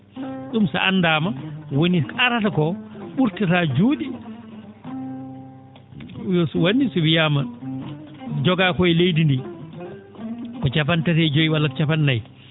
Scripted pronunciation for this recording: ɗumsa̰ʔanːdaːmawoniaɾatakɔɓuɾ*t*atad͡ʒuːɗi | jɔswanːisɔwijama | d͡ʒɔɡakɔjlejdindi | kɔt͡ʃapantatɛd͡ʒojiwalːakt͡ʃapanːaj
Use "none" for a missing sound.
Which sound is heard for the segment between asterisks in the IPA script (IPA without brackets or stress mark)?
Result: t